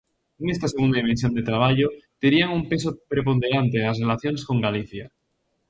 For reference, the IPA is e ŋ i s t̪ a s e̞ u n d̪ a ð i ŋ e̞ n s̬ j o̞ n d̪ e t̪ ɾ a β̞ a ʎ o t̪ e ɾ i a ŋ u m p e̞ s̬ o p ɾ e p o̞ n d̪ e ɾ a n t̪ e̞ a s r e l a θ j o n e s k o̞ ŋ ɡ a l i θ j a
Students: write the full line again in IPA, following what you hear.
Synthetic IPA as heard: e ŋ e s t̪ a s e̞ u n d̪ a ð i m e̞ n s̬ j o̞ n d̪ e t̪ ɾ a β̞ a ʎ o t̪ e ɾ i a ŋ u m p e̞ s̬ o p ɾ e p o̞ n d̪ e ɾ a n t̪ e̞ a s r e l a θ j o n e s k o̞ ŋ ɡ a l i θ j a

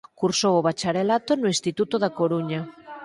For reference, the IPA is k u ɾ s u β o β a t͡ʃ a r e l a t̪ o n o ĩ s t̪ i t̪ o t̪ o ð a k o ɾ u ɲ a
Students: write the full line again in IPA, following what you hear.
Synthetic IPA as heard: k u ɾ s o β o β a t͡ʃ a ɾ e l a t̪ o n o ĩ s t̪ i t̪ u t̪ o ð a k o ɾ u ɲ a

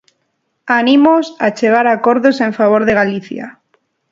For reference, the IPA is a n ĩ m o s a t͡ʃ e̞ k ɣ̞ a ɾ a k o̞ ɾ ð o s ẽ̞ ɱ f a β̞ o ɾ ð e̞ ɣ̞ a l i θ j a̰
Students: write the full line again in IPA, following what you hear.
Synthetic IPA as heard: a n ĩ m o s a t͡ʃ e̞ ɣ̞ a ɾ a k o̞ ɾ ð o s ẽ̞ ɱ f a β̞ o ɾ ð e̞ ɣ̞ a l i θ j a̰

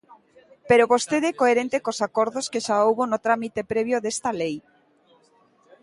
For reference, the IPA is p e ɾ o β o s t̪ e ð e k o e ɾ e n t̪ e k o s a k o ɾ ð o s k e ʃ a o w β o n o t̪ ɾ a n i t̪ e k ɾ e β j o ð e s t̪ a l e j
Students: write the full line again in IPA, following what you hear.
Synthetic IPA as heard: p e ɾ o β o s t̪ e ð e k o e ɾ e n t̪ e k o s a k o ɾ ð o s k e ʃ a o w β o n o t̪ ɾ a m i t̪ e p ɾ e β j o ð e s t̪ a l e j

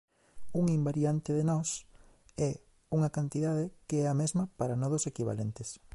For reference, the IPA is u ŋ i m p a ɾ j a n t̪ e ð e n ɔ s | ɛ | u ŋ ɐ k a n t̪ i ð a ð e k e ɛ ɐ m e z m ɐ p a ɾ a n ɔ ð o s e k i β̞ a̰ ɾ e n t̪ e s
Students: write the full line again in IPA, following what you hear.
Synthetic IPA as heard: u ŋ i m b a ɾ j a n t̪ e ð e n ɔ s | ɛ | u ŋ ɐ k a n t̪ i ð a ð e k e ɛ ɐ m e z m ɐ p a ɾ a n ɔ ð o s e k i β̞ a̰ l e n t̪ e s

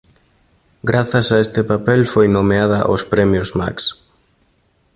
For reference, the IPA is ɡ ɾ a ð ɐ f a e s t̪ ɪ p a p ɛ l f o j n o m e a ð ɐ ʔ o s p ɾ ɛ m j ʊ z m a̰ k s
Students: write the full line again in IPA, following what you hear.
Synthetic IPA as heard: ɡ ɾ a θ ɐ s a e s t̪ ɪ p a p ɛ l f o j n o m e a ð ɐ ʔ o s p ɾ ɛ m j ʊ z m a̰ k s

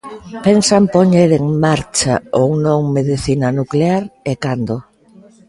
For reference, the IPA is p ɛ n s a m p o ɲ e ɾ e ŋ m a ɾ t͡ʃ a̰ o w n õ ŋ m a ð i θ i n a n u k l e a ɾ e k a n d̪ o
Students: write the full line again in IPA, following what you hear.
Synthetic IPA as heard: p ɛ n s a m p o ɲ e ɾ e ŋ m a ɾ t͡ʃ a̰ o w n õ ŋ m e ð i θ i n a n u k l e a ɾ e k a n d̪ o

